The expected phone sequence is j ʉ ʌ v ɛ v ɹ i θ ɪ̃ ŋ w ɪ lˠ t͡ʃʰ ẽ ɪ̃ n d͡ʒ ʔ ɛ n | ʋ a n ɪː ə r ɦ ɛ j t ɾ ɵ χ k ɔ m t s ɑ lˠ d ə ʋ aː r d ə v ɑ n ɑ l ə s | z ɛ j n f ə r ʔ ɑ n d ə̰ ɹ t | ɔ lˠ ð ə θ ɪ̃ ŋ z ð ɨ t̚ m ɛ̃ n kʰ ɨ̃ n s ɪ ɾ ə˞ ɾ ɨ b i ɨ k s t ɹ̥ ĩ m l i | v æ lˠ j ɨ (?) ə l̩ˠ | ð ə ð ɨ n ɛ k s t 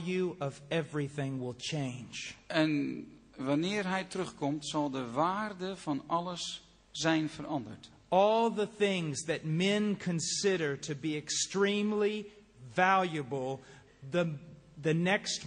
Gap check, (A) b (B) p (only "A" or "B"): A